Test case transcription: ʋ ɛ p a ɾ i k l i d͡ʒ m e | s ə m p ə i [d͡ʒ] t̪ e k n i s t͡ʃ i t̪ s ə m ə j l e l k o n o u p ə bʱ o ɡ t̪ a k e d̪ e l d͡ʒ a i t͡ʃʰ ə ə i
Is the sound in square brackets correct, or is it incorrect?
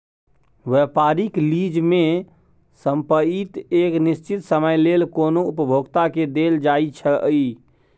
incorrect